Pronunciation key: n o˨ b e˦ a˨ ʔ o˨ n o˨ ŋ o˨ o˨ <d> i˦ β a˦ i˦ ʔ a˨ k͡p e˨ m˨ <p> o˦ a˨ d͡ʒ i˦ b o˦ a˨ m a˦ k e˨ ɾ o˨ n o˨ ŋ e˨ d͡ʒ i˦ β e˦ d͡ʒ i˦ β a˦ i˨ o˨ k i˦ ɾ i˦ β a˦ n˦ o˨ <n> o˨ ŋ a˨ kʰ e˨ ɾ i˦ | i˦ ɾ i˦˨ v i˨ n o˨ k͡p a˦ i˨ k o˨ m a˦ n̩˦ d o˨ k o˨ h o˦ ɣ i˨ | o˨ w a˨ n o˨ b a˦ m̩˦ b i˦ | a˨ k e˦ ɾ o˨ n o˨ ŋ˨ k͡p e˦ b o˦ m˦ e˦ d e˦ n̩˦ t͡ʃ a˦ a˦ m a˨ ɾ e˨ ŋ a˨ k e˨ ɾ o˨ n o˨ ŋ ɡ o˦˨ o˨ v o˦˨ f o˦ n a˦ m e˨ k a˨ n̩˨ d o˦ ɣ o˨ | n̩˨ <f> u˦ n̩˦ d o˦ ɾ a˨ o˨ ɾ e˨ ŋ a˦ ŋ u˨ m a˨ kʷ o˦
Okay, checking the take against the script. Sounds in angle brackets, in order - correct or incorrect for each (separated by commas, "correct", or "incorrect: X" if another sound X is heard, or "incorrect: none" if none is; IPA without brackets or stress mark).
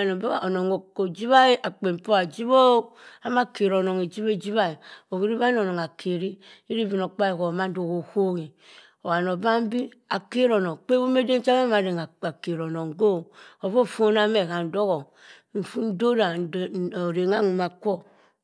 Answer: incorrect: d͡ʒ, correct, correct, correct